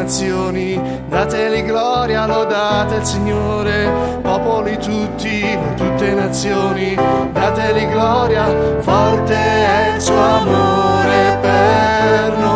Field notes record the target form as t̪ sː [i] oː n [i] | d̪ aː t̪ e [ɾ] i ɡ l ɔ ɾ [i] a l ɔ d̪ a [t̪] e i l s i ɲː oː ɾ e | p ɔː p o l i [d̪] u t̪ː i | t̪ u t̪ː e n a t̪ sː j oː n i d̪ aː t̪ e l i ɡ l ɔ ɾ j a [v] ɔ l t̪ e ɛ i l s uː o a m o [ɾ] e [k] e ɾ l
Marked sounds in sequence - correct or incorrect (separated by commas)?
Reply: incorrect, correct, incorrect, incorrect, correct, incorrect, correct, correct, incorrect